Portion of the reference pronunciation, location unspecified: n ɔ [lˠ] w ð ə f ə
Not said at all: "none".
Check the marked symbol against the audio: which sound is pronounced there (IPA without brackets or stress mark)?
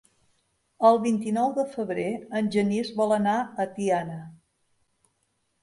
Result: none